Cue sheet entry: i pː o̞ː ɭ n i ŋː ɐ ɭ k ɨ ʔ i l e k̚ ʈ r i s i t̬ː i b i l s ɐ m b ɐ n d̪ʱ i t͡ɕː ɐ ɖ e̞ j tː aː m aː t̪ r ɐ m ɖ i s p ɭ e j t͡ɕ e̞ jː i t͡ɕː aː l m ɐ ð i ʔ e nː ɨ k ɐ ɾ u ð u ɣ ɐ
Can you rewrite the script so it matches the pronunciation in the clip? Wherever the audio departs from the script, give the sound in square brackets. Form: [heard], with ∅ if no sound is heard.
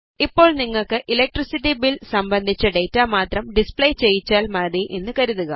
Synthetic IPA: i pː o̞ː ɭ n i ŋː ɐ ɭ k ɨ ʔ i l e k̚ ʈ r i s i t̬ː i b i l s ɐ m b ɐ n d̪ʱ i t͡ɕː ɐ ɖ e̞ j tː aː m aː t̪ r ɐ m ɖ i s p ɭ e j t͡ɕ e̞ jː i t͡ɕː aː l m ɐ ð i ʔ e nː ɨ k ɐ ɾ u ð u ɣ ɐ